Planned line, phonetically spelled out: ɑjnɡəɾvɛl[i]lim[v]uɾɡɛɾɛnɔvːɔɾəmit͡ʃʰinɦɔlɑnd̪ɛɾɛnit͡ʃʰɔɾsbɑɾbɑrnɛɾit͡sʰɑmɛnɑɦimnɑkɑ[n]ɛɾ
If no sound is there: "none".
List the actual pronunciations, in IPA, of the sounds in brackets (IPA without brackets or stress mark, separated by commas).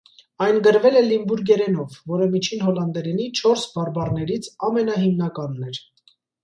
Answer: ɛ, b, nː